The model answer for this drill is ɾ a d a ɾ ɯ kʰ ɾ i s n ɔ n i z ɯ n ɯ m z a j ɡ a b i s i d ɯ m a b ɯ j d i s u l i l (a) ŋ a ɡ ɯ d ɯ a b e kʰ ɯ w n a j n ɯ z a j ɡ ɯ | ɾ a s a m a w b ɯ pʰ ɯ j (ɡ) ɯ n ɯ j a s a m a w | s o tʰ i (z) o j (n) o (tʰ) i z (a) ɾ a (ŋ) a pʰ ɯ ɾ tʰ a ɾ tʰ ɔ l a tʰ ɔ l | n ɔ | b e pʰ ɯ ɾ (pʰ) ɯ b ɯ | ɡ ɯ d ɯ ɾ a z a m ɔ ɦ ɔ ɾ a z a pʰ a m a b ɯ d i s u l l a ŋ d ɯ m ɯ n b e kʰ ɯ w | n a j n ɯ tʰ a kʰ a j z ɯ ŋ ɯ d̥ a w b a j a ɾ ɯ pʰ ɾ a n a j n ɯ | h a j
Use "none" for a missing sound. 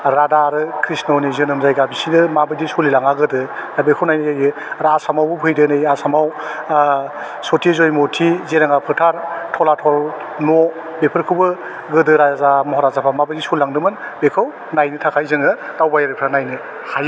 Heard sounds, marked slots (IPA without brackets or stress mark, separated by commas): a, d, z, m, tʰ, e, ŋ, kʰ